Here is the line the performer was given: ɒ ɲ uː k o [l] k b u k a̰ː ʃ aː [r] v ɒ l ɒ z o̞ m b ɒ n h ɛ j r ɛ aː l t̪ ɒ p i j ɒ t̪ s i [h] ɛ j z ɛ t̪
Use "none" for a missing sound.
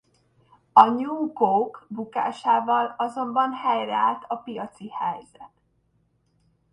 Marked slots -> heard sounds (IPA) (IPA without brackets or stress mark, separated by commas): none, none, h